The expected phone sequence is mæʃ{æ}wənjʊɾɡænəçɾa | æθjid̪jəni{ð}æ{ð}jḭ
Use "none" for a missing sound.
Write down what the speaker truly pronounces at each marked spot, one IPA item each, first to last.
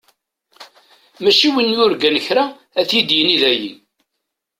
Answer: i, ð, none

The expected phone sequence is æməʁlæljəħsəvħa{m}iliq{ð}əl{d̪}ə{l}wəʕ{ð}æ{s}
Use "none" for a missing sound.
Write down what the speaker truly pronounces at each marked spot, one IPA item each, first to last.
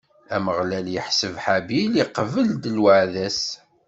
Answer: b, v, d̪, l, ð, s

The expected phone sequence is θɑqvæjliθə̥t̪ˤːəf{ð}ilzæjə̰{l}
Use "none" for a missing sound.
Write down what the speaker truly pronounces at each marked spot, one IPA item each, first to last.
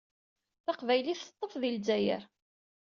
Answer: ð, ɾ

